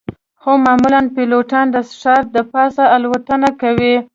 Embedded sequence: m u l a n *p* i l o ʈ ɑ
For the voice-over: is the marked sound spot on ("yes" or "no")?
yes